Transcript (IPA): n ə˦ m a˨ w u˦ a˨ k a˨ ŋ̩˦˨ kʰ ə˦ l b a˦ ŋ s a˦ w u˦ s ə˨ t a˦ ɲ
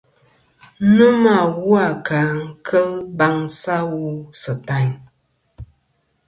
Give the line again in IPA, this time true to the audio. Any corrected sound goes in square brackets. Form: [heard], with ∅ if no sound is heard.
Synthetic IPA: n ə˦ m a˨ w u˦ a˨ k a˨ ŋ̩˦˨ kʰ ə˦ l b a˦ ŋ s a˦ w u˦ s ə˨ t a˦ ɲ

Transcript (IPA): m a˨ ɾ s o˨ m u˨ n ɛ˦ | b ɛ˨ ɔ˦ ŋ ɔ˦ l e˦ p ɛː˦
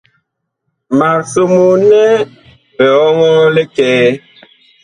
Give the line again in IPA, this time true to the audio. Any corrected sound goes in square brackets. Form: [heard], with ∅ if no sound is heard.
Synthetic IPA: m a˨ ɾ s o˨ m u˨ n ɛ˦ | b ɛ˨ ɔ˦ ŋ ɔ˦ l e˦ [k] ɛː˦

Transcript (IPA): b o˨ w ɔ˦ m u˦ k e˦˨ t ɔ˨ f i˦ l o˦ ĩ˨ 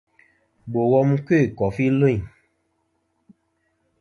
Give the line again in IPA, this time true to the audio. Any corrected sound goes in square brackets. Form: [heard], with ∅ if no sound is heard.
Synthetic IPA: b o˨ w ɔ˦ m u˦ k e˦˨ [k] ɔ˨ f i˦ l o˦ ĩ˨

